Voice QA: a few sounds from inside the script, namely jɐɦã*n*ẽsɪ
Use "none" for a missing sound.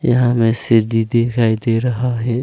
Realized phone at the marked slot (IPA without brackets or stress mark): m